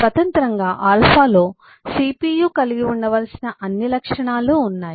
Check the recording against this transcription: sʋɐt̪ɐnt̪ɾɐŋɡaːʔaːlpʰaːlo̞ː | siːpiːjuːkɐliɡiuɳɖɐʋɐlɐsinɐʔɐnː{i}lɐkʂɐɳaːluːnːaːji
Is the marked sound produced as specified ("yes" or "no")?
yes